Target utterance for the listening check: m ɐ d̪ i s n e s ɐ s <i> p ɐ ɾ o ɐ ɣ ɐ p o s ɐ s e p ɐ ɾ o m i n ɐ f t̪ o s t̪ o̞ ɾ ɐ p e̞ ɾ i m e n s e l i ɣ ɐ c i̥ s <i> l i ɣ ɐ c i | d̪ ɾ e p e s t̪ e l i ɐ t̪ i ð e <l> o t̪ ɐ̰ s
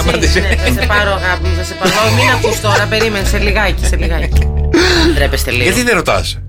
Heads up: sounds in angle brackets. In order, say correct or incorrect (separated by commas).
incorrect, incorrect, incorrect